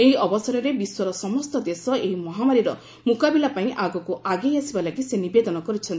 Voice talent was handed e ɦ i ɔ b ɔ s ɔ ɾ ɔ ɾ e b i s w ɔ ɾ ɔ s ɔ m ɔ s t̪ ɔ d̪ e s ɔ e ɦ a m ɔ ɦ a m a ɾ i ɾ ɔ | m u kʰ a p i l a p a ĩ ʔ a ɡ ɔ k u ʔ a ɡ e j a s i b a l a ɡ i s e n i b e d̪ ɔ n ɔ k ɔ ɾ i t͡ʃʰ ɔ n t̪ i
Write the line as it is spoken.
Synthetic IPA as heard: e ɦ i ɔ b ɔ s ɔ ɾ ɔ ɾ e b i s w ɔ ɾ ɔ s ɔ m ɔ s t̪ ɔ d̪ e s ɔ e ɦ i m ɔ ɦ a m a ɾ i ɾ ɔ | m u k a b i l a p a ĩ ʔ a ɡ ɔ k u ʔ a ɡ e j a s i b a l a ɡ i s e n i b e d̪ ɔ n ɔ k ɔ ɾ i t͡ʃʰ ɔ n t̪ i